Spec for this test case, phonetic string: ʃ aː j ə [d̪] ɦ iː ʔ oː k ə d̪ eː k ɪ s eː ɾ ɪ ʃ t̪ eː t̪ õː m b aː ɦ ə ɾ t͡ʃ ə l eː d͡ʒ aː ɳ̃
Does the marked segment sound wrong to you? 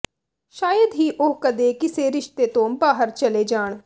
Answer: no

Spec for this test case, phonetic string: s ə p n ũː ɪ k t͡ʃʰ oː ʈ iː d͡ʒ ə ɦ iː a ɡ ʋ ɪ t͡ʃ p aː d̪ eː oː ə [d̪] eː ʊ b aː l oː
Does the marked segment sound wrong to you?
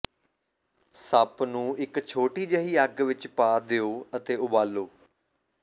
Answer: yes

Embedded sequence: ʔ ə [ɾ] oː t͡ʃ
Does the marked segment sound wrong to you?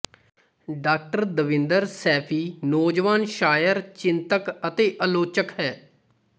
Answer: yes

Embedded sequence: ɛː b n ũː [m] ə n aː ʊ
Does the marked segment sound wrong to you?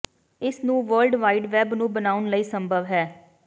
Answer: yes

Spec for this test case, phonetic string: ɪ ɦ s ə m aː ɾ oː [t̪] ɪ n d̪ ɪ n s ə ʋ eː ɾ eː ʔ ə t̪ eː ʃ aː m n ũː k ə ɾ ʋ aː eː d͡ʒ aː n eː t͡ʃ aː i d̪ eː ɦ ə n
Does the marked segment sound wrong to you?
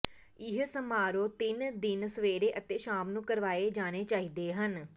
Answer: no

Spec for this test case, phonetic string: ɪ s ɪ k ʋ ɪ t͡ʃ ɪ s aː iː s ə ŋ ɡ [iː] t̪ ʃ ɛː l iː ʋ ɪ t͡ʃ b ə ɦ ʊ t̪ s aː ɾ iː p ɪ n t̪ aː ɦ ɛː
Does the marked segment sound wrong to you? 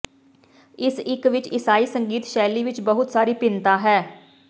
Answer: no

